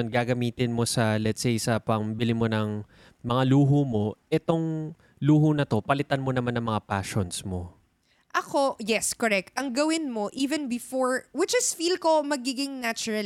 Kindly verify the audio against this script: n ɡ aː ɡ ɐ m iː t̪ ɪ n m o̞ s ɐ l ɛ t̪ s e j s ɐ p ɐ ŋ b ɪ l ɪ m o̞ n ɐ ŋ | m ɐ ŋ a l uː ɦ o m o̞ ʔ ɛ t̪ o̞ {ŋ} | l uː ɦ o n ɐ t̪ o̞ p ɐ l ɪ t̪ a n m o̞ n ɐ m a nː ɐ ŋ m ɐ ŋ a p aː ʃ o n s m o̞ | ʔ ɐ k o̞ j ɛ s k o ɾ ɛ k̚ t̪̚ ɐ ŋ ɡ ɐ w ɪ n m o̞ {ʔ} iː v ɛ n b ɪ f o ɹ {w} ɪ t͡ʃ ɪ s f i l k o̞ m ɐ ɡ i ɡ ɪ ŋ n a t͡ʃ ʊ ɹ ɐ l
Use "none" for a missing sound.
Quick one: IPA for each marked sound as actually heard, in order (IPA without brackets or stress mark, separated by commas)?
ŋ, ʔ, w